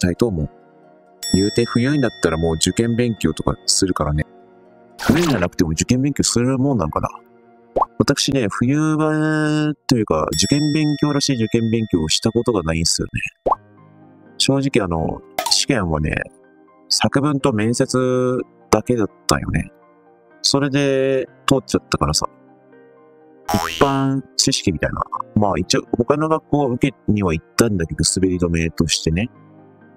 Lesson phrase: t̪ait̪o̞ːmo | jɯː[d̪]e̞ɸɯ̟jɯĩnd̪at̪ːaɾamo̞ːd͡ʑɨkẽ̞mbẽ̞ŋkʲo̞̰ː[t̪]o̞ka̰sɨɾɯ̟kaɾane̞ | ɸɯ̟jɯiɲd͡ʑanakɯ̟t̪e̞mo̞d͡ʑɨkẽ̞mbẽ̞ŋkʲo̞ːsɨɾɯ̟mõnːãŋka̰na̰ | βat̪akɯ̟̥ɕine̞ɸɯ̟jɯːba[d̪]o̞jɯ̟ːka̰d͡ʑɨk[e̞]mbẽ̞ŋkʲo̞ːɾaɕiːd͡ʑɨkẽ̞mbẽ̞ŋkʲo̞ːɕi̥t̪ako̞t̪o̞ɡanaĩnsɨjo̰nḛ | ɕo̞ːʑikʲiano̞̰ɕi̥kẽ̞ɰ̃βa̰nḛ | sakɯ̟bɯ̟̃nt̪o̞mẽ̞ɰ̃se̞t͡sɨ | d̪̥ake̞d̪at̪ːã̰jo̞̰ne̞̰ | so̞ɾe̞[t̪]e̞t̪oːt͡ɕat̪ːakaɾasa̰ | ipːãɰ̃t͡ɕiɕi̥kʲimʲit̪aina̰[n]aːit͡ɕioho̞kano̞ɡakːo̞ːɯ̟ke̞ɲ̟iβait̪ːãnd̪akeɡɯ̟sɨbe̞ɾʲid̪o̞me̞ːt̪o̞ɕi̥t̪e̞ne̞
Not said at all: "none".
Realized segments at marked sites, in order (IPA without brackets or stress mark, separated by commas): t̪, t̪, t̪, ẽ̞, d̪, m